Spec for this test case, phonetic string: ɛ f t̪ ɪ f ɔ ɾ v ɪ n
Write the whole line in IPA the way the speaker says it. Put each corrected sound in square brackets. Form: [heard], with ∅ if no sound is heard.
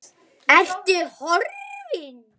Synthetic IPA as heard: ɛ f t̪ ɪ [h] ɔ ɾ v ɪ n